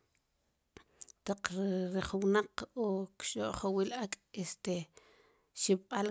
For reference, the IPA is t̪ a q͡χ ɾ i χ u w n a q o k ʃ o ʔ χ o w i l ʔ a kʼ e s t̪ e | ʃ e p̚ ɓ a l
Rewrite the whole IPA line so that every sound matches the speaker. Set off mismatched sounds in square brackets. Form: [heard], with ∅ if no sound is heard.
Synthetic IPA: t̪ a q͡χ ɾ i χ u w n a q o k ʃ o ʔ χ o w i l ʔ a kʼ e s t̪ e | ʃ [i] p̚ ɓ a l